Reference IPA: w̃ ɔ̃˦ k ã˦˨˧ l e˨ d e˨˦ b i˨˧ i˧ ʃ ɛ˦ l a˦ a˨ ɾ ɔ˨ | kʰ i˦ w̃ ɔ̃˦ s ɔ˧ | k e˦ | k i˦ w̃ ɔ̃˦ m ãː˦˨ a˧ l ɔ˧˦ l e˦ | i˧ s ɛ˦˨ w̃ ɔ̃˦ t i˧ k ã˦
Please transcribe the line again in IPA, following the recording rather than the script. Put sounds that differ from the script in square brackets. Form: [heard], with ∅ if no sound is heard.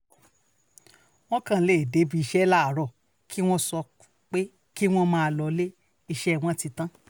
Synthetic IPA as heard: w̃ ɔ̃˦ k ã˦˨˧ l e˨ d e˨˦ b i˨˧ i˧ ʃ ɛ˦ l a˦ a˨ ɾ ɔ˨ | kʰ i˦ w̃ ɔ̃˦ s ɔ˧ | [k͡p] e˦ | k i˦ w̃ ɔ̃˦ m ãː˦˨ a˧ l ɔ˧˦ l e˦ | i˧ [ʃ] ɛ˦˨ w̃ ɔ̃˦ t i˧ [t] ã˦